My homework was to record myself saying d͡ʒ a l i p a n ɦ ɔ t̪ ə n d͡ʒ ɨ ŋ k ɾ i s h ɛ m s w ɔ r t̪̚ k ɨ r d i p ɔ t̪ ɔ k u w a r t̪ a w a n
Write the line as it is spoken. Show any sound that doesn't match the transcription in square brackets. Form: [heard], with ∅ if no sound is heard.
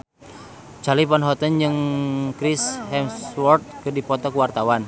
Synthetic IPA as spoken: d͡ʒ a l i p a n ɦ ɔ t̪ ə n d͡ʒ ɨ ŋ k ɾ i s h ɛ m s w ɔ r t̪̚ k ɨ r d i p ɔ t̪ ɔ k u w a r t̪ a w a n